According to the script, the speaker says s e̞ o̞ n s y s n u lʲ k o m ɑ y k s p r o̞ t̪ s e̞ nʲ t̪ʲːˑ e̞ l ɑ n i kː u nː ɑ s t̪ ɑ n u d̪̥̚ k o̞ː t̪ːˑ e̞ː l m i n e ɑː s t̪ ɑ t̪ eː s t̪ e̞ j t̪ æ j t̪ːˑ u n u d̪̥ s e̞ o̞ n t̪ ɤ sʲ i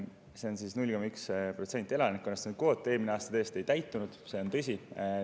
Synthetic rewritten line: s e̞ o̞ n s i s n u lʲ k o m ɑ y k s p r o̞ t̪ s e̞ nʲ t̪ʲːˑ e̞ l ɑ n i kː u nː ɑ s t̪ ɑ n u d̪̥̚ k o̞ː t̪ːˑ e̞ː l m i n e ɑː s t̪ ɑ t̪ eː s t̪ e̞ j t̪ æ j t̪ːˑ u n u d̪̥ s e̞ o̞ n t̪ ɤ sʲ i